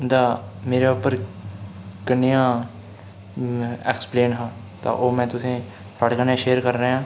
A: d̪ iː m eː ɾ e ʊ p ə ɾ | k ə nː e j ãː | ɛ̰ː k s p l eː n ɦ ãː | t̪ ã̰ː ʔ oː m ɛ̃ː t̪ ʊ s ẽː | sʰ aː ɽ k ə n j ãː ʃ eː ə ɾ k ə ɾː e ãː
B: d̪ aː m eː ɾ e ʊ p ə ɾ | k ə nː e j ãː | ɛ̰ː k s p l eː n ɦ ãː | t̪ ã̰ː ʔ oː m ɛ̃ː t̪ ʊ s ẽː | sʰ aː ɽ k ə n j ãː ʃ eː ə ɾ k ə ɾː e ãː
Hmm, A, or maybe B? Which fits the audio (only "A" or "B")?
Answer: B